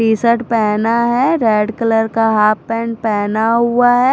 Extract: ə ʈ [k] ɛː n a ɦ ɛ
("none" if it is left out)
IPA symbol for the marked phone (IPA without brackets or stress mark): p